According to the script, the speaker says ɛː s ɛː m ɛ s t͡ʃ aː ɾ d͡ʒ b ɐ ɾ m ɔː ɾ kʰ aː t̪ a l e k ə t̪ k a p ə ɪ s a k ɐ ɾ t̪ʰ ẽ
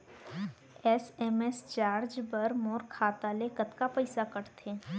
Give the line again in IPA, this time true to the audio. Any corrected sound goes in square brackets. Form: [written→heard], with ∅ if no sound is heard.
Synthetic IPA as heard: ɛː s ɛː m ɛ s t͡ʃ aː ɾ d͡ʒ b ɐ ɾ m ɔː ɾ kʰ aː t̪ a l e k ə t̪ k a p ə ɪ s a k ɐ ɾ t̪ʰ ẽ

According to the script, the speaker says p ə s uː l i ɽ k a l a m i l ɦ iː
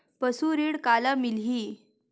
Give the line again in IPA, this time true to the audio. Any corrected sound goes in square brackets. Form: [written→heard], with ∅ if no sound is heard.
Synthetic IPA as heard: p ə s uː [l→ɾ] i ɽ k a l a m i l ɦ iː

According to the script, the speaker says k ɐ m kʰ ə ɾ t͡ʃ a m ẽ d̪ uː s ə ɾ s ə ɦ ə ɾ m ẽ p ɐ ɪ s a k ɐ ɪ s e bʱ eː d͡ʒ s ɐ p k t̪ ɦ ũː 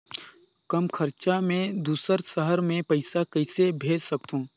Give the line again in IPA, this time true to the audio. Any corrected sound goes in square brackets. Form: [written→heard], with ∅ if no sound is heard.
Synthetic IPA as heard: k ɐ m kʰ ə ɾ t͡ʃ a m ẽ d̪ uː s ə ɾ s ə ɦ ə ɾ m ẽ p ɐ ɪ s a k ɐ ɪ s e bʱ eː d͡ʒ s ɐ [p→∅] k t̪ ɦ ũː

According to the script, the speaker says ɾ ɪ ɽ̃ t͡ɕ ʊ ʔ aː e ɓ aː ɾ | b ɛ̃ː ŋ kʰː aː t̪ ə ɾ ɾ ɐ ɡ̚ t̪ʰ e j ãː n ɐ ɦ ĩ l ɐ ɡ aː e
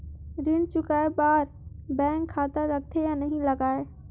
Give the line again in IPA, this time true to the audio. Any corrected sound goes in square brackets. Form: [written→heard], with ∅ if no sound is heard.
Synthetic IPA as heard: ɾ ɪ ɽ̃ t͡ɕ ʊ [ʔ→k] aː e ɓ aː ɾ | b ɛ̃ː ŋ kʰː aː t̪ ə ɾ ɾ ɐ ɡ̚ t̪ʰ e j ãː n ɐ ɦ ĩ l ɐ ɡ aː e

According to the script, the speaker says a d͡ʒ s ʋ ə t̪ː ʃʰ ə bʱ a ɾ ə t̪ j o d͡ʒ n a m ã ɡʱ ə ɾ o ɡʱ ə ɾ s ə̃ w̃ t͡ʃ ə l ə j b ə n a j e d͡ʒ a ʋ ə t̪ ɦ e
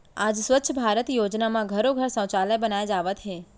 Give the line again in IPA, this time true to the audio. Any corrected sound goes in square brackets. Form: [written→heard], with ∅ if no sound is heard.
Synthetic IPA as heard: a d͡ʒ s ʋ ə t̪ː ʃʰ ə bʱ a ɾ ə t̪ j o d͡ʒ n a m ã ɡʱ ə ɾ o ɡʱ ə ɾ s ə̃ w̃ t͡ʃ [ə→a] l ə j b ə n a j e d͡ʒ a ʋ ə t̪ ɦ e

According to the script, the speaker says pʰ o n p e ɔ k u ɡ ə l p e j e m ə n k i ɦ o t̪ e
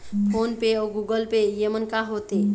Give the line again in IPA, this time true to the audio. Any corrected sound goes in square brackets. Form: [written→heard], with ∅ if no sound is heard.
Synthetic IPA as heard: pʰ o n p e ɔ [k→ɡ] u ɡ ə l p e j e m ə n k [i→a] ɦ o t̪ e

